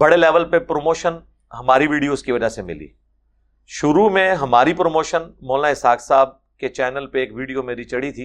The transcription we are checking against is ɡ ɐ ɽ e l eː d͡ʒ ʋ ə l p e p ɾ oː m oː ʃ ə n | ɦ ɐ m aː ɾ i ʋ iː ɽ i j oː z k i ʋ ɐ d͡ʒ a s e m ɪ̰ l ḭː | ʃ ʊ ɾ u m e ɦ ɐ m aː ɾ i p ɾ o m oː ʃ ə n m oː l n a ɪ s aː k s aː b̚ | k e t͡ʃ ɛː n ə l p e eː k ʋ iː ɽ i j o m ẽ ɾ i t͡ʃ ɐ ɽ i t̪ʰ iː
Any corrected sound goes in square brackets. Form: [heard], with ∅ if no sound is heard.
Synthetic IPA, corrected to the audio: [b] ɐ ɽ e l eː [∅] ʋ ə l p e p ɾ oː m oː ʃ ə n | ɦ ɐ m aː ɾ i ʋ iː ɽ i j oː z k i ʋ ɐ d͡ʒ a s e m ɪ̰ l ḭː | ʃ ʊ ɾ u m [ẽ] ɦ ɐ m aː ɾ i p ɾ o m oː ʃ ə n m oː l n a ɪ s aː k s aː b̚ | k e t͡ʃ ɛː n ə l p e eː k ʋ iː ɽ i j o m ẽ ɾ i t͡ʃ ɐ ɽ i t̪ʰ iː